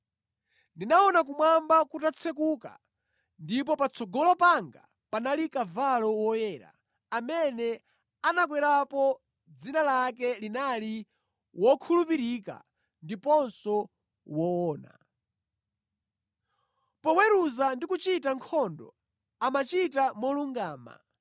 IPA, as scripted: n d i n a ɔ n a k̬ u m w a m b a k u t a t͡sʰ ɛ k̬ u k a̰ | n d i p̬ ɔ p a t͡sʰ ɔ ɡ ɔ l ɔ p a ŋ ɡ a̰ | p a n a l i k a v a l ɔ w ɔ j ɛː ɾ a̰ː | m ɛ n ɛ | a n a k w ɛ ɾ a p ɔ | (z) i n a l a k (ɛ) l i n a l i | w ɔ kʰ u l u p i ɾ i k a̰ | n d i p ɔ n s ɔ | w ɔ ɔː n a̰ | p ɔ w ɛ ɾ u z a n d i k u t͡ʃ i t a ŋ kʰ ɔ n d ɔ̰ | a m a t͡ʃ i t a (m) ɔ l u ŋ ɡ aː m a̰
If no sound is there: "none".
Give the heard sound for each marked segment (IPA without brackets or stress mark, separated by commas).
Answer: d͡z, ɛ, m